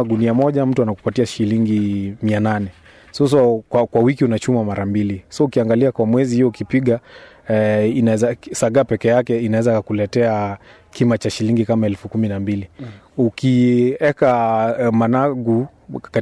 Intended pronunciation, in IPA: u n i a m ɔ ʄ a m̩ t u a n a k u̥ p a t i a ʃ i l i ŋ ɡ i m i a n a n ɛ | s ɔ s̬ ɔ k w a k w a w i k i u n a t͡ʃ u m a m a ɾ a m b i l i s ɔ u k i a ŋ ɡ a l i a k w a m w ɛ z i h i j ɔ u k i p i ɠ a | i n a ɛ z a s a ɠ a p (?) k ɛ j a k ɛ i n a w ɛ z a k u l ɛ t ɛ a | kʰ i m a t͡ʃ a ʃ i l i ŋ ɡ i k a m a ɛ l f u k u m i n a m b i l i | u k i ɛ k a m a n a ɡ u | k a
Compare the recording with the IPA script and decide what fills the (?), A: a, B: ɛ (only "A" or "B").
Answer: B